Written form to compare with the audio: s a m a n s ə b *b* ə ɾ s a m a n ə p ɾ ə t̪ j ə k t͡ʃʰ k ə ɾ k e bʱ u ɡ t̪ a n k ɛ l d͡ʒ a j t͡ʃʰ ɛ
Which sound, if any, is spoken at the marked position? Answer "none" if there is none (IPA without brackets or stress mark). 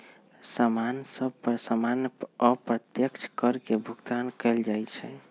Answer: p